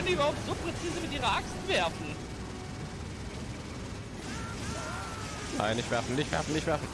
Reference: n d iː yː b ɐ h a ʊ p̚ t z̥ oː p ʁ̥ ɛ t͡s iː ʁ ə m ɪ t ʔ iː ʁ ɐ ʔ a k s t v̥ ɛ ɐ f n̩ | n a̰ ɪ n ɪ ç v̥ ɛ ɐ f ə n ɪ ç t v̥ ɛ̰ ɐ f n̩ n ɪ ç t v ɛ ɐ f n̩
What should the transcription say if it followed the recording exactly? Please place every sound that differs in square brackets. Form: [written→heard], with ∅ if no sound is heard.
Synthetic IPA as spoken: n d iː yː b ɐ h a ʊ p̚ t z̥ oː p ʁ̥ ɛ t͡s iː [ʁ→z] ə m ɪ t ʔ iː ʁ ɐ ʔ a k s t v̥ ɛ ɐ f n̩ | n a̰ ɪ n ɪ ç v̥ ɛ ɐ f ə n ɪ ç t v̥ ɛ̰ ɐ f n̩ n ɪ ç t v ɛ ɐ f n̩

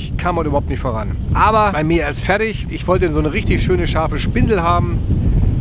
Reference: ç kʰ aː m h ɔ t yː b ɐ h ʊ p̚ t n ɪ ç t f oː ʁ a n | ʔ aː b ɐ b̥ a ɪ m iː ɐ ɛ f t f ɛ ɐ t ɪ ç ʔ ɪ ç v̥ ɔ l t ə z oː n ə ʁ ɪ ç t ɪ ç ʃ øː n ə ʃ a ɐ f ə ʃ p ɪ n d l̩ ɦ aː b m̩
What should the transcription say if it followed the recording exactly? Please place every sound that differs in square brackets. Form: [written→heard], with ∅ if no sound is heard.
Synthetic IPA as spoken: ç kʰ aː m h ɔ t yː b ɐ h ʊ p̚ t n ɪ ç t f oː ʁ a n | ʔ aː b ɐ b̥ a ɪ m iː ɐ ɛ [f→s] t f ɛ ɐ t ɪ ç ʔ ɪ ç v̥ ɔ l t ə z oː n ə ʁ ɪ ç t ɪ ç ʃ øː n ə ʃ a ɐ f ə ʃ p ɪ n d l̩ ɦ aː b m̩

